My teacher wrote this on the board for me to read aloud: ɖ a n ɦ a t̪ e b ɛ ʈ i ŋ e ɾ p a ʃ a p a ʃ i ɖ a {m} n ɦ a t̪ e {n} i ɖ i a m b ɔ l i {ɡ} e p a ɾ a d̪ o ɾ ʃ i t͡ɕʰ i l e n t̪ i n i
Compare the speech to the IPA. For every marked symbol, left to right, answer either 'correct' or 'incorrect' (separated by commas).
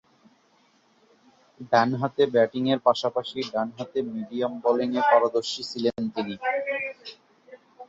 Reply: incorrect, incorrect, incorrect